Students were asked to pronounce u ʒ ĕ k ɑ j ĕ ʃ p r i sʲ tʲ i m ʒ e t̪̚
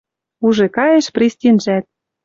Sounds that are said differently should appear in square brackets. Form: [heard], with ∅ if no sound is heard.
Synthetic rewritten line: u ʒ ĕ k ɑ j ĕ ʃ p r i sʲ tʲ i [n] ʒ [æ] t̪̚